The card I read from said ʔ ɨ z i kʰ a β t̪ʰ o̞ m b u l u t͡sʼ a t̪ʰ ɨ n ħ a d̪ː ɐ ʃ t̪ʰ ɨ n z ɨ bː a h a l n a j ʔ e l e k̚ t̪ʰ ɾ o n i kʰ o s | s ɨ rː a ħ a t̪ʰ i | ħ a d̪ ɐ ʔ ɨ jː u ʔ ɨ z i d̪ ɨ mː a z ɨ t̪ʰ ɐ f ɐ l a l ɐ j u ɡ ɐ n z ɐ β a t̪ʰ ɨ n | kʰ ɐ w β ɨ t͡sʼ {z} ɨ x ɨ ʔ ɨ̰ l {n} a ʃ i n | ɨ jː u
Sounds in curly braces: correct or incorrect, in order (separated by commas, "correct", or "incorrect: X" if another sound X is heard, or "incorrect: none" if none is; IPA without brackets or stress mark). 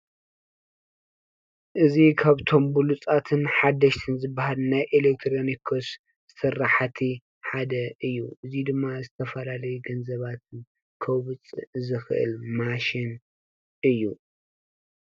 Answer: correct, incorrect: m